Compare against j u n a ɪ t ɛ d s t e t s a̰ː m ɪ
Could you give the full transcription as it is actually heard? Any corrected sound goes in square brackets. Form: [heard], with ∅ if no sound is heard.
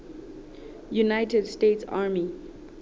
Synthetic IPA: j u n a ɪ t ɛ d s t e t s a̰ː m [i]

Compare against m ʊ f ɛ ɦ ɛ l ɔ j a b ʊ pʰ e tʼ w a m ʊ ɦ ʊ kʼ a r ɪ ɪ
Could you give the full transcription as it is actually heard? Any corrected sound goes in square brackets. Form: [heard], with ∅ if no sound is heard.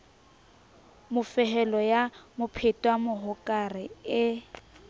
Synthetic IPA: m ʊ f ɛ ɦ ɛ l ɔ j a [m] ʊ pʰ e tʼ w a m ʊ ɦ ʊ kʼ a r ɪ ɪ

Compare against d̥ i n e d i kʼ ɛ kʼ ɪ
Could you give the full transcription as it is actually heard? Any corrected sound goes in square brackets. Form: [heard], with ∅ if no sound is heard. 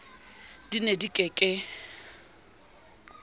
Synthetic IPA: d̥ i n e d i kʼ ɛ kʼ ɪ

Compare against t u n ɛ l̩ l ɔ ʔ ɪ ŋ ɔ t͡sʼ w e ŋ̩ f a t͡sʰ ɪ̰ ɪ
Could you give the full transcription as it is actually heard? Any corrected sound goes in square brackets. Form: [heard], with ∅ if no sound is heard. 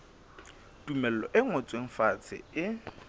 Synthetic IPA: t u [m] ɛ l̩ l ɔ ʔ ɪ ŋ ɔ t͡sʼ w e ŋ̩ f a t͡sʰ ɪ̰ ɪ

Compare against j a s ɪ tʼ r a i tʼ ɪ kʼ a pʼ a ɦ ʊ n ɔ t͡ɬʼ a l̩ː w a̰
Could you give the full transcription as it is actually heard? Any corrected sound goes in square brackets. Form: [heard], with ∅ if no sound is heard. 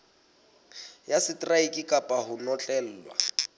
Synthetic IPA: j a s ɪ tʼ r a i [kʼ] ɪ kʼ a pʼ a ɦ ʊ n ɔ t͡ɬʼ [ɛ] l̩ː w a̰

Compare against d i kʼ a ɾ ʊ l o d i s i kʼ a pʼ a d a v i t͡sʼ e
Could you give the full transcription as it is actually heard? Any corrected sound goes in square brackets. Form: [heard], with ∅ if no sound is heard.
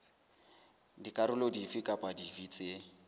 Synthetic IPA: d i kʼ a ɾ ʊ l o d i [f] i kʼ a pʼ a d [i] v i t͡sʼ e

